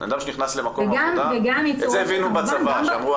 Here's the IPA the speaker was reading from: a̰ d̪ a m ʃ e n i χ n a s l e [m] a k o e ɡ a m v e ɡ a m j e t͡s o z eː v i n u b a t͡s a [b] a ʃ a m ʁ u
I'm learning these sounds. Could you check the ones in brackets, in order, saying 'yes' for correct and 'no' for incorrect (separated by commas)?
yes, no